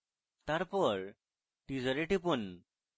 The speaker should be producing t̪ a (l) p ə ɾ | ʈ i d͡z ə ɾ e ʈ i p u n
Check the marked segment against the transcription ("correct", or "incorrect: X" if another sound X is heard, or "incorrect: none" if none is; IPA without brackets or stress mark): incorrect: ɾ